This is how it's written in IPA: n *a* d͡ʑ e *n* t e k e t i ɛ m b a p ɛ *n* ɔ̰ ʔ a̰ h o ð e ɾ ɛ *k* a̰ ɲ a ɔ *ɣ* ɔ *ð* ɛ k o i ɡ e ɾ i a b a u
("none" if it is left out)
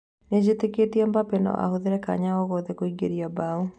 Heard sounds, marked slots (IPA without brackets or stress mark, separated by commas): e, none, n, k, ɣ, ð